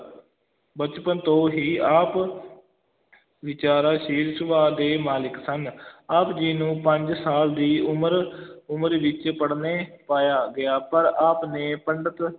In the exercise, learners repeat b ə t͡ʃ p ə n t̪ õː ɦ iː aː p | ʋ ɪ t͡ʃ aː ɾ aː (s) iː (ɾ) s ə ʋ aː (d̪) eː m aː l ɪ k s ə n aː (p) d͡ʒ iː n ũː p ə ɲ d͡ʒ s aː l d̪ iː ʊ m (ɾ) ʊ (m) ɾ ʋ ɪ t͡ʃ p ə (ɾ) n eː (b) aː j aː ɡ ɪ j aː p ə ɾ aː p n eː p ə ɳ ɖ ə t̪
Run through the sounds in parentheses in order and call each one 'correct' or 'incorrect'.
incorrect: ʃ, correct, correct, correct, correct, correct, incorrect: ɽ, incorrect: p

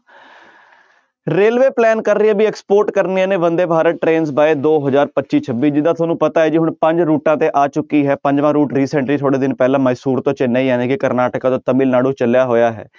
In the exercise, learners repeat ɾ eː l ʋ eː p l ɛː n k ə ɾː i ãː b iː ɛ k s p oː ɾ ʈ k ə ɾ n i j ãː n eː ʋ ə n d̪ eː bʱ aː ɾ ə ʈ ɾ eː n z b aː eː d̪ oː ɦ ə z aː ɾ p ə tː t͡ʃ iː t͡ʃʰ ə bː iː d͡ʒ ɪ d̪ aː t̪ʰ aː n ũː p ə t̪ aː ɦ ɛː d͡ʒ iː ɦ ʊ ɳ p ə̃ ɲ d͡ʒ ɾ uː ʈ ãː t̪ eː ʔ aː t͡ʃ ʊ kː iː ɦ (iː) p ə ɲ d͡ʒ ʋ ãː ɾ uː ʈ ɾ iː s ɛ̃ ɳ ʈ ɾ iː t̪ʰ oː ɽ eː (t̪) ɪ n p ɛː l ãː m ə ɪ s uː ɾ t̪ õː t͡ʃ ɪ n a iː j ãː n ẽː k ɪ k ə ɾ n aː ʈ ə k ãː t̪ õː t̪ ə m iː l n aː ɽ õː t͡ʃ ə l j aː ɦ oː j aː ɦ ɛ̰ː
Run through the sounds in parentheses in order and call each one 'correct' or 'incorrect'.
incorrect: ɛː, incorrect: d̪

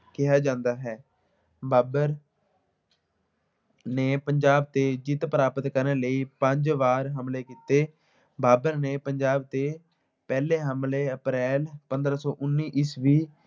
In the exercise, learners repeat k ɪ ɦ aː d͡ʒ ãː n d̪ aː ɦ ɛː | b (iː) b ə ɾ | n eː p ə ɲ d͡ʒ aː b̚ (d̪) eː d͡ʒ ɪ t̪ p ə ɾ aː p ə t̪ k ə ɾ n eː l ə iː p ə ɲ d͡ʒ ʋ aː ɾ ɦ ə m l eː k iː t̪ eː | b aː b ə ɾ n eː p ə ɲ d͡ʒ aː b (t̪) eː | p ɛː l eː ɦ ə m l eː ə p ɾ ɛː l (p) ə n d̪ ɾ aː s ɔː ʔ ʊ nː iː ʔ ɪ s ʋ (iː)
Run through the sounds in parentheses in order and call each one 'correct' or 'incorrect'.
incorrect: aː, incorrect: t̪, correct, correct, correct

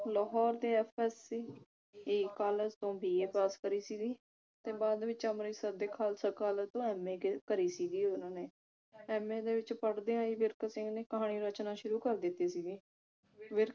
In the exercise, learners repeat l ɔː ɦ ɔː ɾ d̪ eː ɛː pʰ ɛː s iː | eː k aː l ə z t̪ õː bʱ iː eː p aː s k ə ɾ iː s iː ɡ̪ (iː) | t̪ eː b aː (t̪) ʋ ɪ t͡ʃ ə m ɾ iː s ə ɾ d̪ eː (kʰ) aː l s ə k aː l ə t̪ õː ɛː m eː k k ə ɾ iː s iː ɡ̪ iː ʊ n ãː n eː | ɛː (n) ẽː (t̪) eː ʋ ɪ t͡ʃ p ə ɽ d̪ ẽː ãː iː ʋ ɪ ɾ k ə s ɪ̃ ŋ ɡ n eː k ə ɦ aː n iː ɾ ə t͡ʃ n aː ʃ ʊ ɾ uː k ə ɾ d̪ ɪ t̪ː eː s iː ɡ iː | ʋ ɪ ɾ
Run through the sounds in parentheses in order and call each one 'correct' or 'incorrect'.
correct, incorrect: d̪, correct, incorrect: m, incorrect: d̪

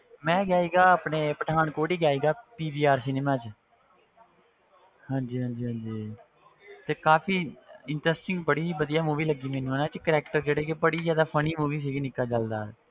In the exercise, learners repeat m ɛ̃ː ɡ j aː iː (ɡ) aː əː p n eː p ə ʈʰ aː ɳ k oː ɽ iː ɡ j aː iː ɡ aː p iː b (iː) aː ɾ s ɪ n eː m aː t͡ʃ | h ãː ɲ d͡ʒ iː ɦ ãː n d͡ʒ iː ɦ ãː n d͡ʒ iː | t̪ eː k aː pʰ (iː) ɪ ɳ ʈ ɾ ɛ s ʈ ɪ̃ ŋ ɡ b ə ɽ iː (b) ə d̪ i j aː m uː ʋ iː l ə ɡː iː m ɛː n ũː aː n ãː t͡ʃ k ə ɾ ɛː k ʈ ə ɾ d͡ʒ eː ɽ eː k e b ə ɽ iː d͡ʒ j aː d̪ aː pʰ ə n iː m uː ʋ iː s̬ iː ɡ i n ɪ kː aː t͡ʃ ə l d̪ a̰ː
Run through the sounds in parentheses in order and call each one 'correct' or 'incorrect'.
correct, correct, correct, correct

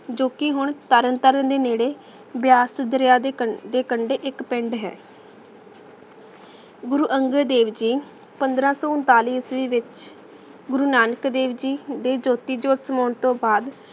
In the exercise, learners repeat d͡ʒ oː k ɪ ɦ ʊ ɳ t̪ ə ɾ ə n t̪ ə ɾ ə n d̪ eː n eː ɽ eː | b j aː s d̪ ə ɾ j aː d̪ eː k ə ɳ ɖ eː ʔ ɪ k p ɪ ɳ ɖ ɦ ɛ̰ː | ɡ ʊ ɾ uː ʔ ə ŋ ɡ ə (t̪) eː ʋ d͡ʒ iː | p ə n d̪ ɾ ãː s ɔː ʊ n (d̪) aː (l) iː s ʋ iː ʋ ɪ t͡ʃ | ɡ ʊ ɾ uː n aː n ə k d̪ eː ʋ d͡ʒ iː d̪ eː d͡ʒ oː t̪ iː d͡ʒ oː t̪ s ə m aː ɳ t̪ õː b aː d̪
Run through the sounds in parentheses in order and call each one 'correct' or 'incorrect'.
incorrect: d̪, incorrect: t̪, correct

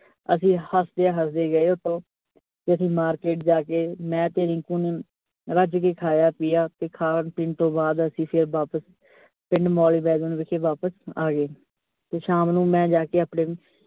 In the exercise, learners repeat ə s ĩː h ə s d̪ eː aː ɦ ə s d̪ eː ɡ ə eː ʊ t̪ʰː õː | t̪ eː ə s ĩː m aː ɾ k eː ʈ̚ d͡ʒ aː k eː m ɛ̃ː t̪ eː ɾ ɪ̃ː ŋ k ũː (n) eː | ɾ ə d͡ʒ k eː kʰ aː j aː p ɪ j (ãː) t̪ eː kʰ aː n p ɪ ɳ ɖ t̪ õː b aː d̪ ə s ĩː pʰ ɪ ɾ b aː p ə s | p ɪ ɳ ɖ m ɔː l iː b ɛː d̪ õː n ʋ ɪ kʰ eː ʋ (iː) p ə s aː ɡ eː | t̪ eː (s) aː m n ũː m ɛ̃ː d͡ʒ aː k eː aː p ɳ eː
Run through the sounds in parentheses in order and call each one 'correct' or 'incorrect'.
correct, incorrect: aː, incorrect: aː, incorrect: ʃ

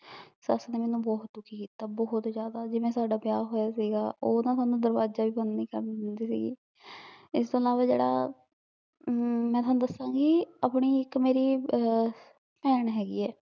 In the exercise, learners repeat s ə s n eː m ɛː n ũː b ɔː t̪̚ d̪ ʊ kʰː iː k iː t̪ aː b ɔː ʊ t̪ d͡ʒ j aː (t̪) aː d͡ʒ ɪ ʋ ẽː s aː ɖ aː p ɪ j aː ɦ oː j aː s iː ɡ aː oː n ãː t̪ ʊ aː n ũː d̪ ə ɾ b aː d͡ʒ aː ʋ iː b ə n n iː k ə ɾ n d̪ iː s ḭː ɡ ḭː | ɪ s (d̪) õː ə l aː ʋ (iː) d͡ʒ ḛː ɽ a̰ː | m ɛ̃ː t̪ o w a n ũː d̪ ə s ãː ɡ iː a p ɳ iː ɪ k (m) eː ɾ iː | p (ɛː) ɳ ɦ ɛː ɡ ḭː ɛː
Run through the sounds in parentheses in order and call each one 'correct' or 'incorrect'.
incorrect: d̪, incorrect: t̪, incorrect: aː, correct, correct

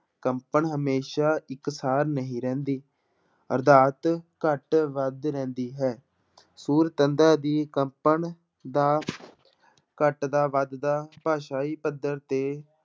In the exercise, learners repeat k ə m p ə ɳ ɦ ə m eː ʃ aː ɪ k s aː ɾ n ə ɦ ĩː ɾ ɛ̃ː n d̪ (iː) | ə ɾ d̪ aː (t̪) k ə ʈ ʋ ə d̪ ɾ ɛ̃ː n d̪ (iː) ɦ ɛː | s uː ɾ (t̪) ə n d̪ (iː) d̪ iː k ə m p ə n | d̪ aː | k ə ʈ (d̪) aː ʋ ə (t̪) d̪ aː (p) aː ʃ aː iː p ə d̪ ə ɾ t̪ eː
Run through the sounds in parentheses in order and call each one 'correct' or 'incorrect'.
correct, correct, correct, correct, incorrect: aː, correct, incorrect: d̪, correct

